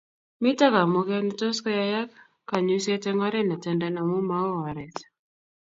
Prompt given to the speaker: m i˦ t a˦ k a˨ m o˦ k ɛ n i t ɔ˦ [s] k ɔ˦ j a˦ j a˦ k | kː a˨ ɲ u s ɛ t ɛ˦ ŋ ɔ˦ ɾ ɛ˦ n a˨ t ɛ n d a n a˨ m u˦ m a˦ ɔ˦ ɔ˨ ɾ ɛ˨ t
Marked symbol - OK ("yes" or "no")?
yes